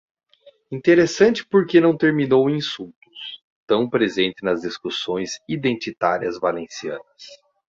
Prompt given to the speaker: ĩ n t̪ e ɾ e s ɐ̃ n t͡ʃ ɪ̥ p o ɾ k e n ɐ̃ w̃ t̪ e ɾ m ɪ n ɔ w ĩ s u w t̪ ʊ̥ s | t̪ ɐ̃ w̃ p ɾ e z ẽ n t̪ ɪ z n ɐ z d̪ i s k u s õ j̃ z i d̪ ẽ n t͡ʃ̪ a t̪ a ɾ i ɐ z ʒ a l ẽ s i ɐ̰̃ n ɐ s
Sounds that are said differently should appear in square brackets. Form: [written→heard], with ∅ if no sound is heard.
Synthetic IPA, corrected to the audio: ĩ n t̪ e ɾ e s ɐ̃ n t͡ʃ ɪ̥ p o ɾ k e n ɐ̃ w̃ t̪ e ɾ m [ɪ→i] n [ɔ→o] w ĩ s u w t̪ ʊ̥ s | t̪ ɐ̃ w̃ p ɾ e z ẽ n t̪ ɪ [z→∅] n ɐ z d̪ i s k u s õ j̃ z i d̪ ẽ n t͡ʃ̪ [a→i] t̪ a ɾ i ɐ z [ʒ→v] a l ẽ s i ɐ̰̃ n ɐ s